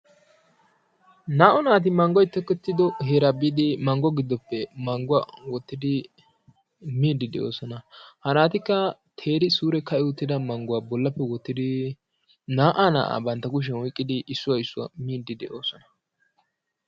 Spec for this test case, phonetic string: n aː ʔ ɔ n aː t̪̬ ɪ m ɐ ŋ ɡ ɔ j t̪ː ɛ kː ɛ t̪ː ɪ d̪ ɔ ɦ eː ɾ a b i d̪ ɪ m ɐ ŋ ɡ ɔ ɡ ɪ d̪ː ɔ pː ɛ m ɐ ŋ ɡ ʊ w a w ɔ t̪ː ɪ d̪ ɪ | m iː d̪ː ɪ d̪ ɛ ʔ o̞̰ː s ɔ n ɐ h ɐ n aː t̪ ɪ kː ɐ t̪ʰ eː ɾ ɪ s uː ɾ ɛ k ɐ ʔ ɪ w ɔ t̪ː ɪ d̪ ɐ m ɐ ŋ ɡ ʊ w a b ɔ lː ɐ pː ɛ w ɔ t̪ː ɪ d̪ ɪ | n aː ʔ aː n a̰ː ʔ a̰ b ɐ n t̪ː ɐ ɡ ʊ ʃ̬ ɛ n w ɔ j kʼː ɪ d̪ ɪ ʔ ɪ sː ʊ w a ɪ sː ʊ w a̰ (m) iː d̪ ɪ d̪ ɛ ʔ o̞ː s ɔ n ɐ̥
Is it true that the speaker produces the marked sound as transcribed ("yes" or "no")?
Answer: yes